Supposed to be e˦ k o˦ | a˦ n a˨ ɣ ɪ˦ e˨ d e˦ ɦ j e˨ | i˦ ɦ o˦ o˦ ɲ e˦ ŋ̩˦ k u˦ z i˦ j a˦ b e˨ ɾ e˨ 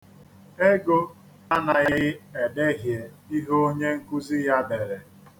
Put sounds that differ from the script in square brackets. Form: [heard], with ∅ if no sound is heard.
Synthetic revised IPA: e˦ [ɡ] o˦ | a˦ n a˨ ɣ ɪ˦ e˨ d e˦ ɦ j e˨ | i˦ ɦ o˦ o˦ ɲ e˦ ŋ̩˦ k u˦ z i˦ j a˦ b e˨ ɾ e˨